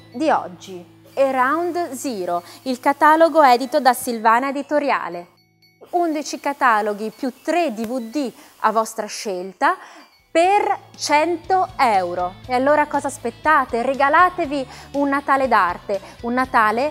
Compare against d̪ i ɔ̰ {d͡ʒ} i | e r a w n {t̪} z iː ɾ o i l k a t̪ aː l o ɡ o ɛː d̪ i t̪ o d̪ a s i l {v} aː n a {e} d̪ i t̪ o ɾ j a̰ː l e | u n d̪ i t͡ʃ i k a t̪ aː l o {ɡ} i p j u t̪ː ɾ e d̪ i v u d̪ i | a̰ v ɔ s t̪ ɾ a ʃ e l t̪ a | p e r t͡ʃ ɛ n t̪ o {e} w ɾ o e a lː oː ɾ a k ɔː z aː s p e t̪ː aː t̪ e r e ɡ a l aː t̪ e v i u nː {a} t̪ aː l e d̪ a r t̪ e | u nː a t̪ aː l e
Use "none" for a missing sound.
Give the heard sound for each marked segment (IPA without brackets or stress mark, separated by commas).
d͡ʒː, d̪, v, e, ɡ, ɛ, a